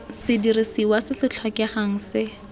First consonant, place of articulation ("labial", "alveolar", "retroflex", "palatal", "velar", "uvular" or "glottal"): alveolar